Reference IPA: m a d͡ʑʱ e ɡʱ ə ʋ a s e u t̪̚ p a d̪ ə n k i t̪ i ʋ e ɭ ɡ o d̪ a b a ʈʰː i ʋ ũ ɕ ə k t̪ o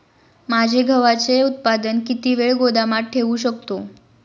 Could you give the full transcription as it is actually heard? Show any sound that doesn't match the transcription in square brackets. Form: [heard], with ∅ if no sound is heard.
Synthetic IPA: m a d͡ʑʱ e ɡʱ ə ʋ a [t͡s] e u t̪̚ p a d̪ ə n k i t̪ i ʋ e ɭ ɡ o d̪ a [m] a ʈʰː [e] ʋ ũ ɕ ə k t̪ o